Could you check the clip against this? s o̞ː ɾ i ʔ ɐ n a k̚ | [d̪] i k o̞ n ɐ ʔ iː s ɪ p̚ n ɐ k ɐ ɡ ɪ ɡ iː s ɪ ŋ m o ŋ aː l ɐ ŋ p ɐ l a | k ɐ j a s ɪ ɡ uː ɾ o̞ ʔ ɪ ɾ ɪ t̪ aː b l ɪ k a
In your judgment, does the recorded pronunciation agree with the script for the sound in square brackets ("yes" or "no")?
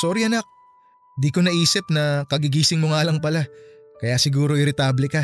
yes